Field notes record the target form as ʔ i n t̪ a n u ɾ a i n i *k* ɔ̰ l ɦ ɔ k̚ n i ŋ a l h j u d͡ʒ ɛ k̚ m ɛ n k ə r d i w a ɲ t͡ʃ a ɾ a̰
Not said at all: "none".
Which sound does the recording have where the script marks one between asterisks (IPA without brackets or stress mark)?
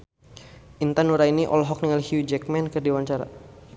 ʔ